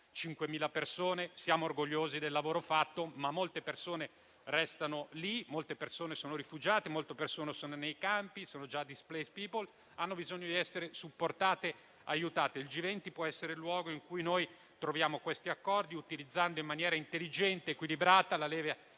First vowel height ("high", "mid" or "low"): high